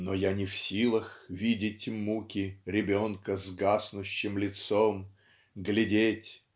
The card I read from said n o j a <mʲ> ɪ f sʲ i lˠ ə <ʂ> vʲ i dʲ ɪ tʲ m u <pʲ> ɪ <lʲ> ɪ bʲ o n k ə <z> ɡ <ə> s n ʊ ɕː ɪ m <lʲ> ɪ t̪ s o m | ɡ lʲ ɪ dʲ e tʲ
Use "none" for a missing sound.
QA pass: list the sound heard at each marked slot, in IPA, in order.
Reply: nʲ, x, kʲ, ɾʲ, z, a, lʲ

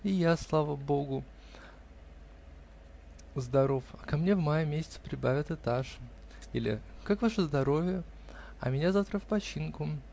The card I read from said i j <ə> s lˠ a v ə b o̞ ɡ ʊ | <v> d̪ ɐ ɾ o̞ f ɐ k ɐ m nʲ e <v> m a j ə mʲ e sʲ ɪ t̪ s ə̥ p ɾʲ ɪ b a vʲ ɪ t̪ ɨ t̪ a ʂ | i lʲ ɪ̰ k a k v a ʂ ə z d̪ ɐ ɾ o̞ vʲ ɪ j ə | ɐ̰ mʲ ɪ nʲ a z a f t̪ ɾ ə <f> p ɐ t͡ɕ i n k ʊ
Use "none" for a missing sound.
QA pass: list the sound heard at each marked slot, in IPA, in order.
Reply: a, z, v, f

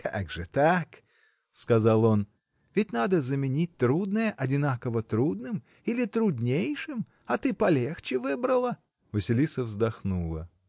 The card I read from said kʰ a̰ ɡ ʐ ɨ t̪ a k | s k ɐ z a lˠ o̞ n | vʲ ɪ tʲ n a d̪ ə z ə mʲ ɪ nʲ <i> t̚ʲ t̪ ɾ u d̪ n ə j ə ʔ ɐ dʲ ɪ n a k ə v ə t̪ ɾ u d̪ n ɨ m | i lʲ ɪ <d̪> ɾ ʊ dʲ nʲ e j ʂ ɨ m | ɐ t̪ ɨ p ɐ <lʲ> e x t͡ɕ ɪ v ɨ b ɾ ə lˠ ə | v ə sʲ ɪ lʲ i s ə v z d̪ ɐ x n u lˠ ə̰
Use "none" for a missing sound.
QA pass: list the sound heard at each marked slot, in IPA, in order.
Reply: i, t̪, lʲ

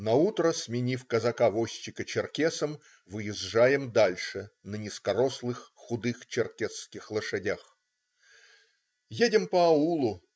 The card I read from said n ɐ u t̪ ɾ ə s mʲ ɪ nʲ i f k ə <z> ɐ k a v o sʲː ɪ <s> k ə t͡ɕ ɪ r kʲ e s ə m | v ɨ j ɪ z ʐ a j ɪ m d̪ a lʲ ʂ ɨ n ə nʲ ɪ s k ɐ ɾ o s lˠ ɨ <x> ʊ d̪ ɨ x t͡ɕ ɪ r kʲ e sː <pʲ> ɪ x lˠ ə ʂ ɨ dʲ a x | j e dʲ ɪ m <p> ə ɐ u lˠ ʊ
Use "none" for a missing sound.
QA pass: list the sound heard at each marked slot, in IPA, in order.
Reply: z, none, xː, kʲ, p

